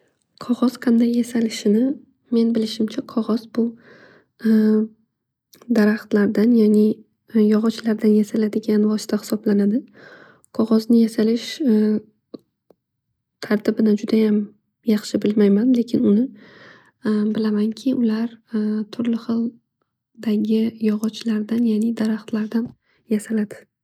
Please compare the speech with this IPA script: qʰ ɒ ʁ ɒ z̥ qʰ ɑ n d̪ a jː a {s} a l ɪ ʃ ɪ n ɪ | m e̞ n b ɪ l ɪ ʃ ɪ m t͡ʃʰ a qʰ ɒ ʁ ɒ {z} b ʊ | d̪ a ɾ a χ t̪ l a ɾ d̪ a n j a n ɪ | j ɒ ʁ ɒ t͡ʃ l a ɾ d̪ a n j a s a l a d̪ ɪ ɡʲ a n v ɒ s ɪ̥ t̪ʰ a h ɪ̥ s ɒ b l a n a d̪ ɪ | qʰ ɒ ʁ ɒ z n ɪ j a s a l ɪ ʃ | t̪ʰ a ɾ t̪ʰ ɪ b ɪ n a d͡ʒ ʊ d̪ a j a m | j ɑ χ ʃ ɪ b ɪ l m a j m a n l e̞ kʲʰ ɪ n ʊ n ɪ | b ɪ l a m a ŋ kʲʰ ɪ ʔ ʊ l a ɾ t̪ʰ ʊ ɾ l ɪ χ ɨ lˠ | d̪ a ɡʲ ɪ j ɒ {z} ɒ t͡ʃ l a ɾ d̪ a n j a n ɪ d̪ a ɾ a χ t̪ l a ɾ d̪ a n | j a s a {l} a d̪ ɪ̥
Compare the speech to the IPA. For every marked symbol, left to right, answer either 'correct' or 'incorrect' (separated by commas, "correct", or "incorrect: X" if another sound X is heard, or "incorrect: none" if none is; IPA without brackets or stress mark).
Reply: correct, correct, incorrect: ʁ, correct